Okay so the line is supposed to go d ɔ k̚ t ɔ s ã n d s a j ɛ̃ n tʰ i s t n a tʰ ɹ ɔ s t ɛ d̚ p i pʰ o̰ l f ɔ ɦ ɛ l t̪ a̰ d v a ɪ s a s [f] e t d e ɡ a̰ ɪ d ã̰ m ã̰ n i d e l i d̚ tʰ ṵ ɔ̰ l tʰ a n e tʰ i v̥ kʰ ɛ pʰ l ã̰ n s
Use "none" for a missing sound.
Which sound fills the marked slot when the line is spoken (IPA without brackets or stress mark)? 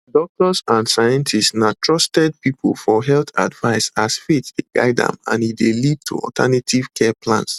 f